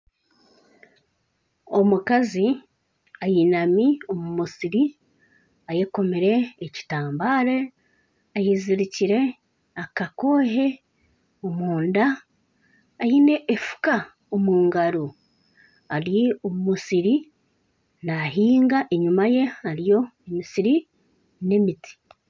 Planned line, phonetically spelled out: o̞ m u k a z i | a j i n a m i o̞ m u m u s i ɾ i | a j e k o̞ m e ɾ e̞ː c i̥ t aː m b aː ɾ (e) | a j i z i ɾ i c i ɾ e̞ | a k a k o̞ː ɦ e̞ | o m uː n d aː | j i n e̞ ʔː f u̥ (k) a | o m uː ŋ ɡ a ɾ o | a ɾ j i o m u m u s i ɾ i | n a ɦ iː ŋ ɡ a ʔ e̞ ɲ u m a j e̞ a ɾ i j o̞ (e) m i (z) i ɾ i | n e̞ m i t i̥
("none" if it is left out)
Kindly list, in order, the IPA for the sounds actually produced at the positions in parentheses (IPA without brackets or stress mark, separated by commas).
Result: e, k, e, s